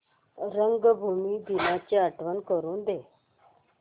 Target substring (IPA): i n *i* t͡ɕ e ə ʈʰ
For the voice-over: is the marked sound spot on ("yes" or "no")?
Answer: no